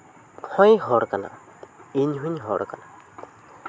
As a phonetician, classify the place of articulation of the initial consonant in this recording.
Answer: glottal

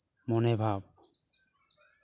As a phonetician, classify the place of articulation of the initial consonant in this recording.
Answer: labial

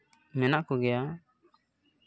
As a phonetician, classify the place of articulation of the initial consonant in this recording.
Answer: labial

